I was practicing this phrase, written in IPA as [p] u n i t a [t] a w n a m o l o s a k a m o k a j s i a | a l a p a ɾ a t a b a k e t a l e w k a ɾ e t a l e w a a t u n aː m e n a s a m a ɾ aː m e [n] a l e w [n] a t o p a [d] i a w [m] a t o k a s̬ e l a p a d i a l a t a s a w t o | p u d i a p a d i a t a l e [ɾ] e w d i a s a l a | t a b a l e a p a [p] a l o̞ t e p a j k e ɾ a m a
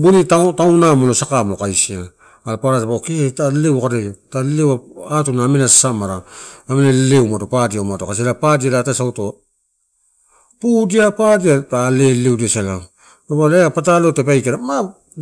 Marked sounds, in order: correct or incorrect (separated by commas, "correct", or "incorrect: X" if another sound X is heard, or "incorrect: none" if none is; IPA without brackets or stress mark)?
incorrect: b, correct, correct, incorrect: m, correct, correct, incorrect: l, incorrect: t